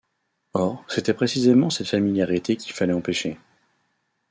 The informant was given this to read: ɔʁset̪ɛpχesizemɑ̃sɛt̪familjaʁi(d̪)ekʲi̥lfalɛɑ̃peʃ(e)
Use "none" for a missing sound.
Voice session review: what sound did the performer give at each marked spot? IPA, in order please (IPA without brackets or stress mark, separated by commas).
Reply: t̪, e